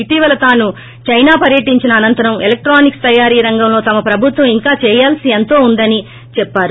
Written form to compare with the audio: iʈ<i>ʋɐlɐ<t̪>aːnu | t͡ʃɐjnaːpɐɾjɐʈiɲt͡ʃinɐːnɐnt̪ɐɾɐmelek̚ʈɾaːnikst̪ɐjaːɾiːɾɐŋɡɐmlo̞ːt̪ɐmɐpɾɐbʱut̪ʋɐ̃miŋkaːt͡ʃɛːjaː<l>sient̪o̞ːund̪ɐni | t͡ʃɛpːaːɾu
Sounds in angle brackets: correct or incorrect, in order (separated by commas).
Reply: incorrect, correct, correct